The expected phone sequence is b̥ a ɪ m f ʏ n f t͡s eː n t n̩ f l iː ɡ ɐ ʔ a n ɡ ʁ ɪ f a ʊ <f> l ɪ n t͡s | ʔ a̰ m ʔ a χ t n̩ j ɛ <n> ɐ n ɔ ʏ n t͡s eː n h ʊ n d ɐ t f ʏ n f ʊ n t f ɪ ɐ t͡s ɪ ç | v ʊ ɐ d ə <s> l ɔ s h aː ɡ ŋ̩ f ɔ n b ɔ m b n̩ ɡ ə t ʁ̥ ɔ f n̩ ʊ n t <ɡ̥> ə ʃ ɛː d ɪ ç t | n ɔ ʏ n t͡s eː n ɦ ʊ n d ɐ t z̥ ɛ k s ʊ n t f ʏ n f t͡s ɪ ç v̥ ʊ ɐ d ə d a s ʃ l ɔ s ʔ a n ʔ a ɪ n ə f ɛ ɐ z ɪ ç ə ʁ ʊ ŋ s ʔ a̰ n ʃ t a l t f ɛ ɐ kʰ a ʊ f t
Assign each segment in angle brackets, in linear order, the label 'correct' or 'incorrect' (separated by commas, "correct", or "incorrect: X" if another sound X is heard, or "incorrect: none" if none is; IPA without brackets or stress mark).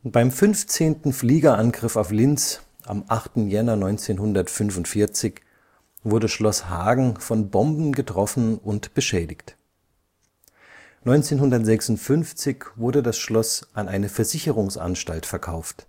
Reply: correct, correct, incorrect: ʃ, incorrect: b̥